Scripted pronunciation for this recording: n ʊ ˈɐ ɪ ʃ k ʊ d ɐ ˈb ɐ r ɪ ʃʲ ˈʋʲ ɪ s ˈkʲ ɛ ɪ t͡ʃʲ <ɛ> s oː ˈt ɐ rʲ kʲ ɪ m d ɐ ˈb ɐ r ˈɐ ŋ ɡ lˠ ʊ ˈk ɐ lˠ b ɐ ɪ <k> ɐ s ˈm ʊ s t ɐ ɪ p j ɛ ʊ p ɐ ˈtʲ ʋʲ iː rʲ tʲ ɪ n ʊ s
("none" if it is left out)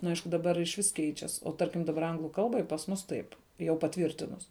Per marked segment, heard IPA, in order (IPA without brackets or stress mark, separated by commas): ɛ, p